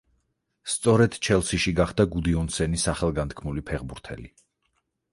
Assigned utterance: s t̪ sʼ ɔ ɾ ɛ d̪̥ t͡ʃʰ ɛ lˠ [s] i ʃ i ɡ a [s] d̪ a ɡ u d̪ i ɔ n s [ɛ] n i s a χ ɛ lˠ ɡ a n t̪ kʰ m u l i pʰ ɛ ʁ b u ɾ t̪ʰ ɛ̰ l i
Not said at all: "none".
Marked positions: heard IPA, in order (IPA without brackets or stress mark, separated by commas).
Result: s, χ, ɛ